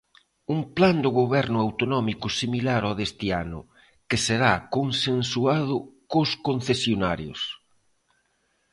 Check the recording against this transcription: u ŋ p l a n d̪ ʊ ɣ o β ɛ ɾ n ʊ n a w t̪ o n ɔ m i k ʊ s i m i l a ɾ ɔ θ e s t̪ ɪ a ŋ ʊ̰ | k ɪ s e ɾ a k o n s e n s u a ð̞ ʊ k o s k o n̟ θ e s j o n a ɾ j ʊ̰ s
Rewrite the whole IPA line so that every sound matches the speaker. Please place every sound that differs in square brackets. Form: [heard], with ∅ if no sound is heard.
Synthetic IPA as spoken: u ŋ p l a n d̪ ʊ ɣ o β ɛ ɾ n ʊ [∅] a w t̪ o n ɔ m i k ʊ s i m i l a ɾ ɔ [ð] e s t̪ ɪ a [n] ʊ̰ | k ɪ s e ɾ a k o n s e n s u a ð̞ ʊ k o s k o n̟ θ e s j o n a ɾ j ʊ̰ s